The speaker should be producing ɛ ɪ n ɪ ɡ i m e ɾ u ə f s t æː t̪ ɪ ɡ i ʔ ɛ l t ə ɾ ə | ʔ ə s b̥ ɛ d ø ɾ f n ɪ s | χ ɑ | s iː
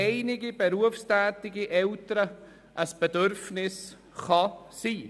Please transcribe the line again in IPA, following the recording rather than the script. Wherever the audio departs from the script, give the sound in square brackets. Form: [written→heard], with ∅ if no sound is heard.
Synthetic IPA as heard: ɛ ɪ n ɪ ɡ i [m→b] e ɾ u ə f s t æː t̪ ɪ ɡ i ʔ ɛ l t ə ɾ ə | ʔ ə s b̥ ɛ d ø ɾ f n ɪ s | χ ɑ | s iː